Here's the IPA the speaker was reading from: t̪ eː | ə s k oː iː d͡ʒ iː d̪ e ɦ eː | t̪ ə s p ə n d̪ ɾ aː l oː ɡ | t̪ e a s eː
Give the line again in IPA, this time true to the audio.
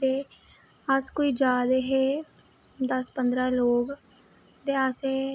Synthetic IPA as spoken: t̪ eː | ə s k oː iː d͡ʒ aː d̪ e ɦ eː | d̪ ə s p ə n d̪ ɾ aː l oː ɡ | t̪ e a s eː